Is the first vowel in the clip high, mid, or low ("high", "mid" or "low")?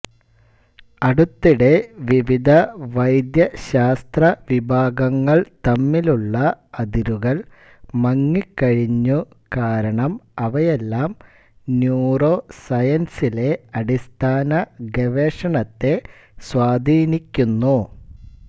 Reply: low